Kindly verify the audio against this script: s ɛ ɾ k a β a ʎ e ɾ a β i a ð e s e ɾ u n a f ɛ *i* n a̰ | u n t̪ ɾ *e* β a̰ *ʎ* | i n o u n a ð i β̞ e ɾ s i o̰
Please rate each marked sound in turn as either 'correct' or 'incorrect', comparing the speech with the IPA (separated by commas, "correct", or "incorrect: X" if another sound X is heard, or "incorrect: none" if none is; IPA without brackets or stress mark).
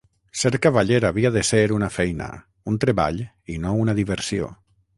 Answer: incorrect: j, correct, correct